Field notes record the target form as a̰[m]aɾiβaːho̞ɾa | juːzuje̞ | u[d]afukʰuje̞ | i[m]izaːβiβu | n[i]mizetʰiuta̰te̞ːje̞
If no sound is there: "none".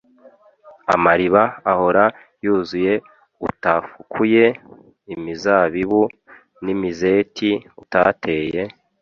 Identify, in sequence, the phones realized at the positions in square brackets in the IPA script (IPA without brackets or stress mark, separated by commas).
m, t, m, i